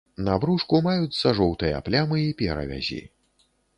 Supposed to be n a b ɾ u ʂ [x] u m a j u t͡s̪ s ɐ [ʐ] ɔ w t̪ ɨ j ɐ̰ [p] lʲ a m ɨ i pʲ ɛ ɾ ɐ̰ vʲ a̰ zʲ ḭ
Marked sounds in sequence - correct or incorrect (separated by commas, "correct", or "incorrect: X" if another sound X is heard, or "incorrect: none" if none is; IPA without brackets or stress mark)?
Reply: incorrect: k, correct, correct